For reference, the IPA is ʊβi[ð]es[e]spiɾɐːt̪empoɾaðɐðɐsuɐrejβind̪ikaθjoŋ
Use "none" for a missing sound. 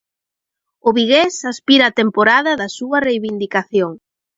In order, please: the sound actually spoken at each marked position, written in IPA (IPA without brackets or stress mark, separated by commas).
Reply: ɣ, a